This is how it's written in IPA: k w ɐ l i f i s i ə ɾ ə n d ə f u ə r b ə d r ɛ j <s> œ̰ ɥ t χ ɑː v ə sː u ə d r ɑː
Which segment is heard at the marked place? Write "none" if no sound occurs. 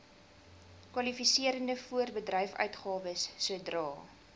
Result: f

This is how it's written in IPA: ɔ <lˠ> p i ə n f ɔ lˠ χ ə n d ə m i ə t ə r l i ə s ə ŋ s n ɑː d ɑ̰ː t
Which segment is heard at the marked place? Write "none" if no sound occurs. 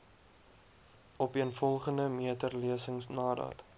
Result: none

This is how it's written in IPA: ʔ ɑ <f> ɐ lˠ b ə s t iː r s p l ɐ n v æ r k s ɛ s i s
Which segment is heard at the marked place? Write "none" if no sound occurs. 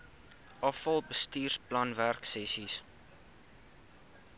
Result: f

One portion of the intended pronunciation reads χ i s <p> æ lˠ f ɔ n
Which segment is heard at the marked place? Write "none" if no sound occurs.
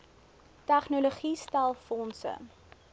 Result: t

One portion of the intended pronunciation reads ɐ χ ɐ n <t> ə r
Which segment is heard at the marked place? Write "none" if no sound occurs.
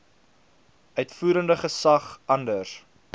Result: d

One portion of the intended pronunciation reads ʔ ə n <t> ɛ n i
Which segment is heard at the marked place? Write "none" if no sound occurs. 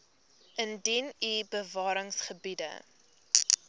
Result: d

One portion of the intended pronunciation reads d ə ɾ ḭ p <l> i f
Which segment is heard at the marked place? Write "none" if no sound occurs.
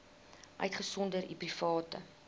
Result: r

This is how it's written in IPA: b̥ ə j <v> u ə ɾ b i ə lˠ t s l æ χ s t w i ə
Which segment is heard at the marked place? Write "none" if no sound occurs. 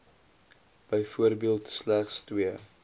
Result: f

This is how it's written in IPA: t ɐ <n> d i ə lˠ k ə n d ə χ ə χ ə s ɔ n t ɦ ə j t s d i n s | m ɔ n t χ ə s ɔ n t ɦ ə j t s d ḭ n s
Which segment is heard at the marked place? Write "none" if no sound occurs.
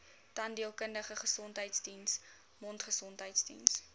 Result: n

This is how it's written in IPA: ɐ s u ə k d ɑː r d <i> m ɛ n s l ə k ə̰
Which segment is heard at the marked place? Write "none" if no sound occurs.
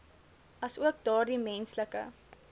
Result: i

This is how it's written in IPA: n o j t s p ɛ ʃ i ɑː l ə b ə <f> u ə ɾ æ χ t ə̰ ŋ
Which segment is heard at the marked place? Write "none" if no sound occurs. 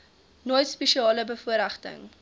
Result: f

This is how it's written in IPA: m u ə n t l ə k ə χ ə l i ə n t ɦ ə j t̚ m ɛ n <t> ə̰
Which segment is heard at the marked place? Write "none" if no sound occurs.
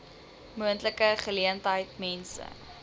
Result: s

